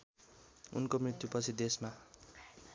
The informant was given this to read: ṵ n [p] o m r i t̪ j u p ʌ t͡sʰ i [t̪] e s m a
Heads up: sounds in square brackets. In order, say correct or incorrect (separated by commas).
incorrect, incorrect